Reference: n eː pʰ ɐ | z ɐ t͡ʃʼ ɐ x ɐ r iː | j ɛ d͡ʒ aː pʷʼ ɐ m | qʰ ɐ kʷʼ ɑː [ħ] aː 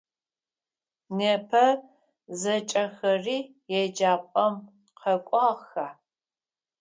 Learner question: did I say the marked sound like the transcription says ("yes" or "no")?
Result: no